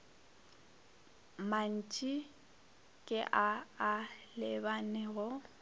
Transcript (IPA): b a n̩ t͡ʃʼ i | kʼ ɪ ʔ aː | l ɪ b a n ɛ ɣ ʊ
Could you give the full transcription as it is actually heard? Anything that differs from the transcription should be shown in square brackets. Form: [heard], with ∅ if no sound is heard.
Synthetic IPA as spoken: [m] a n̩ t͡ʃʼ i | kʼ ɪ ʔ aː | l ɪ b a n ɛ ɣ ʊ